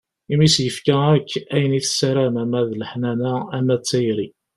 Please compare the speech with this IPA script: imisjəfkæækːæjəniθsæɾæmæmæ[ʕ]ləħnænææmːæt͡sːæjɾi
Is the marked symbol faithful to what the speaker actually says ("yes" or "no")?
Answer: no